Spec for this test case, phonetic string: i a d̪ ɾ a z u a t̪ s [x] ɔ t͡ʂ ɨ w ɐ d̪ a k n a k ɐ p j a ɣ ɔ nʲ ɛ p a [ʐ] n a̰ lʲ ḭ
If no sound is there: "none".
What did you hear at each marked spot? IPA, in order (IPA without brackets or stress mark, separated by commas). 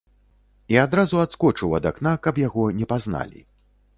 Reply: k, z